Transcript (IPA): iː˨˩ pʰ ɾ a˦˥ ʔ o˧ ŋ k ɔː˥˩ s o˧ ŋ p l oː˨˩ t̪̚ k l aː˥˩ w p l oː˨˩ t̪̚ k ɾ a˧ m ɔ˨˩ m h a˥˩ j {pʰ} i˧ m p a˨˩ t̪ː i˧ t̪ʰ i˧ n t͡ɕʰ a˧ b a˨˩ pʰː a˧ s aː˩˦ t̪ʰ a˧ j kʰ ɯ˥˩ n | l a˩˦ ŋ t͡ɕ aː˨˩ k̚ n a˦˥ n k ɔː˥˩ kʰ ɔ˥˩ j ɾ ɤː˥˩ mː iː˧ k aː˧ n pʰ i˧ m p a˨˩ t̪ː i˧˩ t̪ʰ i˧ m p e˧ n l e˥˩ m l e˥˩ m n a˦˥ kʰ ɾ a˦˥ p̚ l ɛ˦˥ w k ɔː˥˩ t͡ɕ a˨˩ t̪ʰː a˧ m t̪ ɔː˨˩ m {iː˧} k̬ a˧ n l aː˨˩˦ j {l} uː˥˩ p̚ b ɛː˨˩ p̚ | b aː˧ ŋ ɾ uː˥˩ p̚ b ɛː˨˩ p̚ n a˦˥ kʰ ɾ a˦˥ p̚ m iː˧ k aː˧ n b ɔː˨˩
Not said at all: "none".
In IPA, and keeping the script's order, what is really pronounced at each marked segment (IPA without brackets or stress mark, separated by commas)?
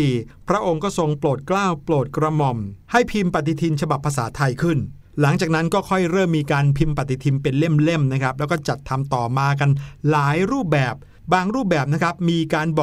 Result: pʰ, aː˧, ɾ